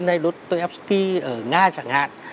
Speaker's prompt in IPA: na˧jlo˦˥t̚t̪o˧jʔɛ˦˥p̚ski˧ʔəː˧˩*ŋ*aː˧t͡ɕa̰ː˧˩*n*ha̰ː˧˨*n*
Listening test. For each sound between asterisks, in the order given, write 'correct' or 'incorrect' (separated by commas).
correct, incorrect, correct